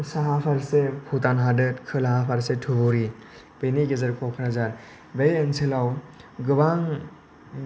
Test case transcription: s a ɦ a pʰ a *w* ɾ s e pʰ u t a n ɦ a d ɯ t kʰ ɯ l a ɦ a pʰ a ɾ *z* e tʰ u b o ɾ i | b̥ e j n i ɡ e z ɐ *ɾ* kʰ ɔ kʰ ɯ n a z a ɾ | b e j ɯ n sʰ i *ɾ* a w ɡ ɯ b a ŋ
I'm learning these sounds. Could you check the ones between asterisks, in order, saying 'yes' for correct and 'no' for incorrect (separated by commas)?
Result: no, no, yes, no